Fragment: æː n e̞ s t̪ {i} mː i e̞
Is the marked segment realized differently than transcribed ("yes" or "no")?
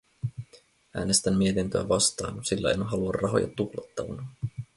yes